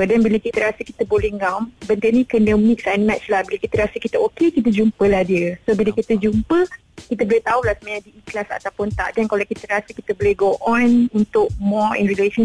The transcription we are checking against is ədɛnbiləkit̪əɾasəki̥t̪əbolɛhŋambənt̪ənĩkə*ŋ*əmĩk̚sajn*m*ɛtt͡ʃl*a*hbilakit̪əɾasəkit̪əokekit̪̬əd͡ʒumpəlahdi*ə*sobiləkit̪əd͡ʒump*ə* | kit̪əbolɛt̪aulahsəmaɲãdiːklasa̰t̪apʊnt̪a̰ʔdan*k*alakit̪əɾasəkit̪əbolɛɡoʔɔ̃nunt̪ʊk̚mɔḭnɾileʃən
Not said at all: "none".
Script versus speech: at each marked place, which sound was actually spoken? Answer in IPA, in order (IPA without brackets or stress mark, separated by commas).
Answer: n, m, a, ə, ə, k